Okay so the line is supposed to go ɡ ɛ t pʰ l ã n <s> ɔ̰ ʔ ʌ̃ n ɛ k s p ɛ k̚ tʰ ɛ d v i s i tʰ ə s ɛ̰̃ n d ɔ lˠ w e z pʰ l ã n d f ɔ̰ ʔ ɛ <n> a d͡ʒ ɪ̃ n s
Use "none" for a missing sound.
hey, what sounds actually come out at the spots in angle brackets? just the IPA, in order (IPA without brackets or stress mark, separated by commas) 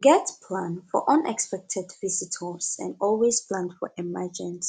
f, m